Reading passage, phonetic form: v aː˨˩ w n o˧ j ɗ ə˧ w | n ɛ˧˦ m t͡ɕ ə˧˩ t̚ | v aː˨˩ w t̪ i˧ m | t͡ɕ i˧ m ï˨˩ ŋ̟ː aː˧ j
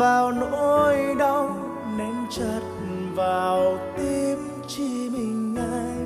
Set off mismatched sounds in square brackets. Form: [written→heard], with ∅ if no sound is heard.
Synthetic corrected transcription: v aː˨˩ w n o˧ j ɗ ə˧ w | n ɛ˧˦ m t͡ɕ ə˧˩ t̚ | v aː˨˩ w t̪ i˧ m | t͡ɕ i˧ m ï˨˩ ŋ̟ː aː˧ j